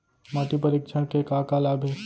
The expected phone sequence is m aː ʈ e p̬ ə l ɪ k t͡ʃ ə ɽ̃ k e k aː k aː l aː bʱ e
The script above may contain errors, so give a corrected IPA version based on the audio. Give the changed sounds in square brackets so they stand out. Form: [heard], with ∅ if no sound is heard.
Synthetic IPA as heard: m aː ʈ [i] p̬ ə [ɾ] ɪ k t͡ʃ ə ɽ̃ k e k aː k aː l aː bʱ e